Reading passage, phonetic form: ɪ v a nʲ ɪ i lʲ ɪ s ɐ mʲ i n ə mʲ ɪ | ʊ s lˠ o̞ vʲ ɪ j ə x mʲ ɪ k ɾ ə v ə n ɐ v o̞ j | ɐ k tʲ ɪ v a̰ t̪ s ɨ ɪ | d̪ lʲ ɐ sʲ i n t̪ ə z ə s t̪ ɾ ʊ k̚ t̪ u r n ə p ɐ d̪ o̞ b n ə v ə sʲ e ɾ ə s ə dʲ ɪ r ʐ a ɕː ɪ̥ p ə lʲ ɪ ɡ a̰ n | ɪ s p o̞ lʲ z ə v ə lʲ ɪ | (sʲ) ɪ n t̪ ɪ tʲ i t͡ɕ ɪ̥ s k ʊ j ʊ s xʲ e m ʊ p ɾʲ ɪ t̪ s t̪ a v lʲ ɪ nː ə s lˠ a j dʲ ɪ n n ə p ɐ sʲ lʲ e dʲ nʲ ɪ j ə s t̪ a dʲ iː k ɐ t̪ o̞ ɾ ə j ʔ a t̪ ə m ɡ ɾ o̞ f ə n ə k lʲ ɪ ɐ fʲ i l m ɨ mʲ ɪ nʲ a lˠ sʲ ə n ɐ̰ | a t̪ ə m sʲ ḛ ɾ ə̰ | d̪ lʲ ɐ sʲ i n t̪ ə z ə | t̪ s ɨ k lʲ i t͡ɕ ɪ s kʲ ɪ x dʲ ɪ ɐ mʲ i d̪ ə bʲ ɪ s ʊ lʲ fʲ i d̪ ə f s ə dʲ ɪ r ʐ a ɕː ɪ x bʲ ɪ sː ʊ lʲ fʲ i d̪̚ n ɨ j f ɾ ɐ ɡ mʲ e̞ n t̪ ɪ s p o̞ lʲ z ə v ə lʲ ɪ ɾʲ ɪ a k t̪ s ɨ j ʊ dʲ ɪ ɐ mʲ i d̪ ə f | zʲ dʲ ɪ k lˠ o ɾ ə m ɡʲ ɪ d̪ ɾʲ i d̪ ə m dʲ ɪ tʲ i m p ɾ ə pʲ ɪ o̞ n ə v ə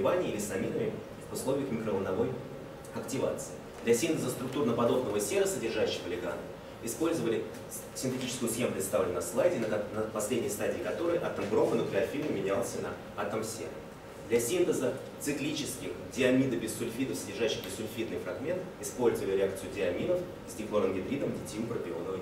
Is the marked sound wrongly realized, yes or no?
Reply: no